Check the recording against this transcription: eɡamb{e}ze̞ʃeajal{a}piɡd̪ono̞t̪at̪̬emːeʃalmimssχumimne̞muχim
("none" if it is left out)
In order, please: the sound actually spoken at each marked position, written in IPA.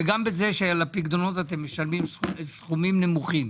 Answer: e, a

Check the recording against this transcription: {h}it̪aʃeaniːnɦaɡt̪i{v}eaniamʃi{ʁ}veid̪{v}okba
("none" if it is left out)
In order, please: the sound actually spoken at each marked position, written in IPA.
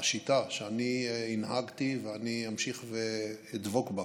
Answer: ʃ, v, χ, v

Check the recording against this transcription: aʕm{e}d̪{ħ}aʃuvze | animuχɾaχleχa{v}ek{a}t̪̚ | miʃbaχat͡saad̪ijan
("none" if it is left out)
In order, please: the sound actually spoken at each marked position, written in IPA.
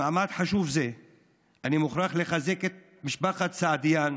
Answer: a, ħ, z, e

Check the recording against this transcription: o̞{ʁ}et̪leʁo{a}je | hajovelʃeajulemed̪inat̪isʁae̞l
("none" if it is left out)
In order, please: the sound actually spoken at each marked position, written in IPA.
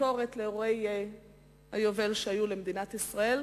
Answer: ʁ, e

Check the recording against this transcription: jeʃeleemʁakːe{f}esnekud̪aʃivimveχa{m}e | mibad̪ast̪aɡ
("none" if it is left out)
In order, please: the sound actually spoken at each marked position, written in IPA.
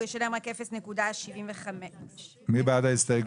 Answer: f, m

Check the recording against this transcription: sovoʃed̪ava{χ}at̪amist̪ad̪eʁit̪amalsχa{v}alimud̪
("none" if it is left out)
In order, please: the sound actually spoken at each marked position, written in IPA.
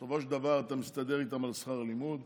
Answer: ʁ, ʁ

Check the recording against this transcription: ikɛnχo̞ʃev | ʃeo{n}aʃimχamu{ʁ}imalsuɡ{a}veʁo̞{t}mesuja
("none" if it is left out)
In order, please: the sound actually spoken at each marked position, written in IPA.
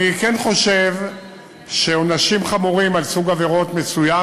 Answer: n, ʁ, a, t

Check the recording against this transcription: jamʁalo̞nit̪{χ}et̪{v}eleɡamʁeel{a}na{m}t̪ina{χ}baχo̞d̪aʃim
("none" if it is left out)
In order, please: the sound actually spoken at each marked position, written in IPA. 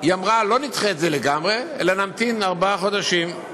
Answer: χ, z, a, m, ʁ

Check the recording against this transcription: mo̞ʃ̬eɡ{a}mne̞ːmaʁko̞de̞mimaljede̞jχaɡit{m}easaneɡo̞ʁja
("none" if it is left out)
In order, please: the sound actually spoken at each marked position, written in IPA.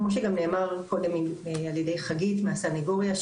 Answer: a, m

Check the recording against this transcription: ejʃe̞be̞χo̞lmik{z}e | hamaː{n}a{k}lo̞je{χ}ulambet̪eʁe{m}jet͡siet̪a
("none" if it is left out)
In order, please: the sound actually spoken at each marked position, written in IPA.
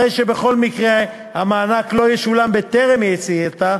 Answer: ʁ, n, k, ʃ, m

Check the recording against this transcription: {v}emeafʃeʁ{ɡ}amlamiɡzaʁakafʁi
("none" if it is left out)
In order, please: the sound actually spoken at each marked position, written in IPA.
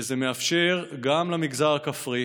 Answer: z, ɡ

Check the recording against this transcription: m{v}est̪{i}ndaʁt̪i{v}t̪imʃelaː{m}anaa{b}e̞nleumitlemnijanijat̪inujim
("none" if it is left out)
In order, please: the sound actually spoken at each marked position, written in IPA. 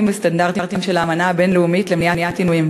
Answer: v, a, ʁ, m, b

